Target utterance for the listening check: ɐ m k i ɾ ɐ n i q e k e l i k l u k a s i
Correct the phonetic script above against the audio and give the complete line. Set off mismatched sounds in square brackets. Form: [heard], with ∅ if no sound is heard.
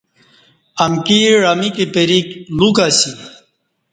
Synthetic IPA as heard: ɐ m k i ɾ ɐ [m] i [k] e [p] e [ɾ] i k l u k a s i

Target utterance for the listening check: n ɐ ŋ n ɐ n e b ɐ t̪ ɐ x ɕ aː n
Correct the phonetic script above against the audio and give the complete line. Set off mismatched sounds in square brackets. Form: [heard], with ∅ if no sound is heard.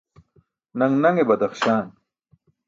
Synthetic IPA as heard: n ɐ ŋ n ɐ [ŋ] e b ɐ [d̪] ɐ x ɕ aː n

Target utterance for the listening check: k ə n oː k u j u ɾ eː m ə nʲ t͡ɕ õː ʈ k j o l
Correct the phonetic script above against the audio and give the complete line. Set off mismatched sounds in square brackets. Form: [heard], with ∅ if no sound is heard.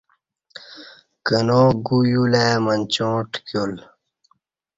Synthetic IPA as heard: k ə n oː [ɡ] u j u [l] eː m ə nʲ t͡ɕ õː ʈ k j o l

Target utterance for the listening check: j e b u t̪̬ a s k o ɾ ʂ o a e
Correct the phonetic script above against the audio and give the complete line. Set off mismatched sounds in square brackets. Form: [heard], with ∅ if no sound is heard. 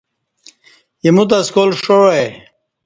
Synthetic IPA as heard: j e [m] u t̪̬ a s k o [l] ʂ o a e

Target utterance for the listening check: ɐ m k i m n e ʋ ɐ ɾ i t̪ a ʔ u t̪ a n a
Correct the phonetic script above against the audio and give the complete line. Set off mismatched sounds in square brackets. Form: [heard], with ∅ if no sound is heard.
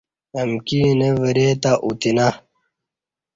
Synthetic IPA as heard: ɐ m k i [∅] n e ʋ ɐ ɾ [e] t̪ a ʔ u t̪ [i] n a

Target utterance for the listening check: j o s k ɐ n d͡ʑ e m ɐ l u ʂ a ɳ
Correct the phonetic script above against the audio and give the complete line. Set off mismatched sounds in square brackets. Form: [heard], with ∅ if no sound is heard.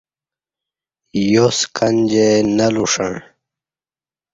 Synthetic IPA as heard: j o s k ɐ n d͡ʑ e [n] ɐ l u ʂ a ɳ

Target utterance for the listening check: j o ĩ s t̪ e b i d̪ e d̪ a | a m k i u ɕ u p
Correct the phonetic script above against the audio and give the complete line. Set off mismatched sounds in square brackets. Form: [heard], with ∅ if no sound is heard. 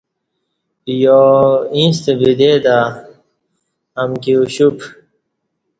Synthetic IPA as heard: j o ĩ s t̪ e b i d̪ e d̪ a | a m k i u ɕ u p

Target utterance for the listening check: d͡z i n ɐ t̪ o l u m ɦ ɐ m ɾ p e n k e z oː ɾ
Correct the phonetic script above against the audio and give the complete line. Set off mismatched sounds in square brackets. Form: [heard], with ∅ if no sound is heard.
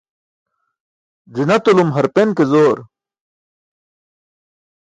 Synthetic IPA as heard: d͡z i n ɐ t̪ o l u m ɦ ɐ [∅] ɾ p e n k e z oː ɾ

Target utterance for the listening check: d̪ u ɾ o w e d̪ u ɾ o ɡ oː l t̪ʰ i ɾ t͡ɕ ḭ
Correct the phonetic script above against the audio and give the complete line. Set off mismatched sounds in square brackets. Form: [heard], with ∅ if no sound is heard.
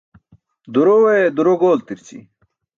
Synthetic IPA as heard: d̪ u ɾ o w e d̪ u ɾ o ɡ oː l [t̪] i ɾ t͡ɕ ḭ

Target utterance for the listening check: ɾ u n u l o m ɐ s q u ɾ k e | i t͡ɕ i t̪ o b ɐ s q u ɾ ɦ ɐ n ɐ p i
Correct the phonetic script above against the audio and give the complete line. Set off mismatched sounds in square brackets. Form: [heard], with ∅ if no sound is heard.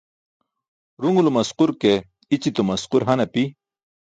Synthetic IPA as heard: ɾ u [ŋ] u l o m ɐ s q u ɾ k e | i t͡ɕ i t̪ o [m] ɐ s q u ɾ ɦ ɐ n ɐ p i

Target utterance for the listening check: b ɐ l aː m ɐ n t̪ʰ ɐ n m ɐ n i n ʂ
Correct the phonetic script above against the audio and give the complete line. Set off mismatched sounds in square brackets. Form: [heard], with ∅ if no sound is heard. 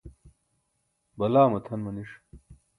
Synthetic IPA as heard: b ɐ l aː m ɐ [∅] t̪ʰ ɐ n m ɐ n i [∅] ʂ

